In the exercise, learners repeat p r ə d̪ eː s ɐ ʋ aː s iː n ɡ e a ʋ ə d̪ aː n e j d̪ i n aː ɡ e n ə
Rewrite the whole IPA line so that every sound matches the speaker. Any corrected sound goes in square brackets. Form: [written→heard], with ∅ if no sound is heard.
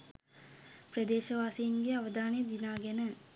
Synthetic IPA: p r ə d̪ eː [s→ʃ] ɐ ʋ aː s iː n ɡ e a ʋ ə d̪ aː n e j d̪ i n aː ɡ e n ə